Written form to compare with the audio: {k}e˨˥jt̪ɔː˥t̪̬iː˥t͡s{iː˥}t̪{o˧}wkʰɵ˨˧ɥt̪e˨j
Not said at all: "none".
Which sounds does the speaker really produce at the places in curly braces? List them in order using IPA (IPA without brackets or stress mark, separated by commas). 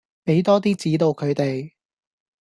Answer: p, iː˨˥, o˧